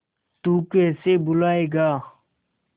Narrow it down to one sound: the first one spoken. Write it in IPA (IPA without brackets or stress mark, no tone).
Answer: t̪